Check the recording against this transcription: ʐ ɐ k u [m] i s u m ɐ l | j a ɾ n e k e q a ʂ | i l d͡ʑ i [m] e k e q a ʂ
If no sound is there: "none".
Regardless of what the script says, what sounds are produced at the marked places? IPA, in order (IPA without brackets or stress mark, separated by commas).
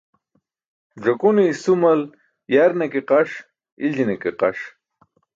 n, n